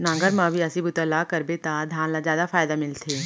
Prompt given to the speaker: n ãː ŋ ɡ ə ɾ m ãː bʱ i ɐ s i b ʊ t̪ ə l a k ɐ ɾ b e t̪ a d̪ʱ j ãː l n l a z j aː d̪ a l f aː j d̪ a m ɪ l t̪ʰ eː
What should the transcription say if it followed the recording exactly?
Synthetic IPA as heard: n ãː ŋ ɡ ə ɾ m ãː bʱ i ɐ s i b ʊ t̪ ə l a k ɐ ɾ b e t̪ a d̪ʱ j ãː n l a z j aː d̪ a f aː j d̪ a m ɪ l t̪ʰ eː